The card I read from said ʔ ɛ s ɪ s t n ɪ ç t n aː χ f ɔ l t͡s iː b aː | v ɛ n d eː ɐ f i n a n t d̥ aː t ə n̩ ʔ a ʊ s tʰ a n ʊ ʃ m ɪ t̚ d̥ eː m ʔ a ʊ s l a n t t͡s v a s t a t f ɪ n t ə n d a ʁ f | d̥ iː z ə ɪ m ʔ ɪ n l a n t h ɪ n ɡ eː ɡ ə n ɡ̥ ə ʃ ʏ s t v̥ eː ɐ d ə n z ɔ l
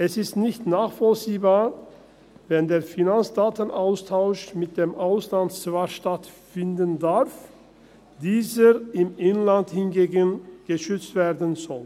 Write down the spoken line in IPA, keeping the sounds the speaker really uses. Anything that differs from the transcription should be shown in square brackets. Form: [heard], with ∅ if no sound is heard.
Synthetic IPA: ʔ ɛ s ɪ s t n ɪ ç t n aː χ f ɔ l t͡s iː b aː | v ɛ n d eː ɐ f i n a n [t͡s] d̥ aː t ə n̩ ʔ a ʊ s tʰ a [∅] ʊ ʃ m ɪ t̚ d̥ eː m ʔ a ʊ s l a n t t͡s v a [ʃ] t a t f ɪ n [d] ə n d a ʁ f | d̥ iː z ə ɪ m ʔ ɪ n l a n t h ɪ n ɡ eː ɡ ə n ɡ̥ ə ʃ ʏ [t͡s] t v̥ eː ɐ d ə n z ɔ l